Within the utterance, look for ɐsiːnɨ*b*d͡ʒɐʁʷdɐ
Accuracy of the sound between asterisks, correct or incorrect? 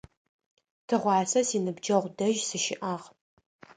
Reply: correct